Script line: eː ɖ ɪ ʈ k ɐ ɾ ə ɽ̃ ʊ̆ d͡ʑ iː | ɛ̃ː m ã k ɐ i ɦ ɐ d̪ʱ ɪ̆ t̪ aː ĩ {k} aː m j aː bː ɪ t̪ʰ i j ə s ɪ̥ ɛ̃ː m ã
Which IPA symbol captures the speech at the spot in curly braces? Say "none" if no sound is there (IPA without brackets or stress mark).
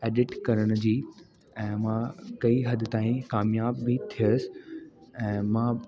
k